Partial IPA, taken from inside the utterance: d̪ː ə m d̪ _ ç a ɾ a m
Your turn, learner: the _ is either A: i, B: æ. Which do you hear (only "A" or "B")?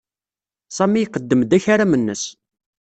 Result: B